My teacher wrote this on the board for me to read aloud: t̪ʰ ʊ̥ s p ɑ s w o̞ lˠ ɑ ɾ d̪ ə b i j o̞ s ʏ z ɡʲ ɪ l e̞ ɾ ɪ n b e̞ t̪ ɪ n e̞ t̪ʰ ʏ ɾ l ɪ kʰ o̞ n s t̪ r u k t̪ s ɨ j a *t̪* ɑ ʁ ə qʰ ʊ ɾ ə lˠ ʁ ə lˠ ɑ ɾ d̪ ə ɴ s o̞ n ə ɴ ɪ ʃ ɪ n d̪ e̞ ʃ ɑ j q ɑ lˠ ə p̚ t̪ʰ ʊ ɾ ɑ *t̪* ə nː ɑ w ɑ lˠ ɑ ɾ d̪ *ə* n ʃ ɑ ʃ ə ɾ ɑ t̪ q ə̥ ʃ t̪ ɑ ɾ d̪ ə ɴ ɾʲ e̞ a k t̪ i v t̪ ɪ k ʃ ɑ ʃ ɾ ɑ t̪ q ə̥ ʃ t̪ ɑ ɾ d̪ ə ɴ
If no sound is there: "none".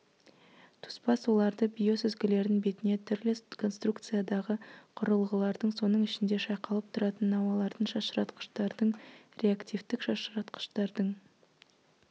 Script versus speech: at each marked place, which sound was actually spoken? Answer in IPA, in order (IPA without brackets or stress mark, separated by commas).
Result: d̪, t̪, ə